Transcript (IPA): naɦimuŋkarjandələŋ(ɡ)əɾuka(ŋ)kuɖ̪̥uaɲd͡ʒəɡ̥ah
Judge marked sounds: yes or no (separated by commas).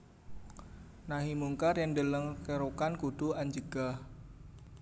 no, no